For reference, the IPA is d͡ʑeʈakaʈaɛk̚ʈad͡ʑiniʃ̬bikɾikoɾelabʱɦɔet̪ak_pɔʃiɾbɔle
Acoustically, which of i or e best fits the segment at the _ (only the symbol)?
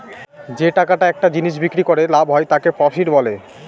e